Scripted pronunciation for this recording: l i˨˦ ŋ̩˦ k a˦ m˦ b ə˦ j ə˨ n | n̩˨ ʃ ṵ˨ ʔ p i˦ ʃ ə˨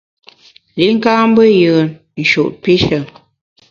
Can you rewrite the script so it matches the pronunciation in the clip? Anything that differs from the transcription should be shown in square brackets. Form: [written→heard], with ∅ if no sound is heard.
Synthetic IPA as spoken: l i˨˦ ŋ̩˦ k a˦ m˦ b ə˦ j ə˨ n | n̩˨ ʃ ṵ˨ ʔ p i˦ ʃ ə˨